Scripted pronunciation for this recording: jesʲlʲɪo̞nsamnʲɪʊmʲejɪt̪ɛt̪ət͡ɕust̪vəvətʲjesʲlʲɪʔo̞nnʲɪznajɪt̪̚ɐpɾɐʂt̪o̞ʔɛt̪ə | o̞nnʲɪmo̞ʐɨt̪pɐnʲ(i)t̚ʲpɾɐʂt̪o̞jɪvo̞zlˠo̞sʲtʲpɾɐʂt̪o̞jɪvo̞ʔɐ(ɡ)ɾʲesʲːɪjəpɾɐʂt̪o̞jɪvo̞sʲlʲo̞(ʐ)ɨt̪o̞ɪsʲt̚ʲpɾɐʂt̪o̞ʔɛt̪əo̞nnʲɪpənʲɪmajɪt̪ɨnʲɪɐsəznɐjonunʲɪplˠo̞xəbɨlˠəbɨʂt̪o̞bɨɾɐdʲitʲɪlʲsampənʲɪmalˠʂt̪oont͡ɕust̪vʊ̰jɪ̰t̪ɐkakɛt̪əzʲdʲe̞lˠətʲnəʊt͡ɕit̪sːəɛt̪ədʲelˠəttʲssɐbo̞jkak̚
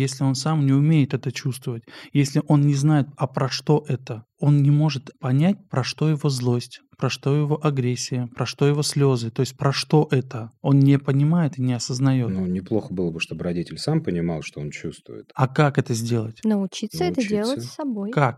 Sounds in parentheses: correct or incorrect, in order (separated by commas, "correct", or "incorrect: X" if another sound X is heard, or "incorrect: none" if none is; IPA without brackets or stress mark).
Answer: incorrect: æ, correct, incorrect: z